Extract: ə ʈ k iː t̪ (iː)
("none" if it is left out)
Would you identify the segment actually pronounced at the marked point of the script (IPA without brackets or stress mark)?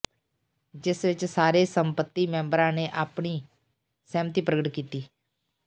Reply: iː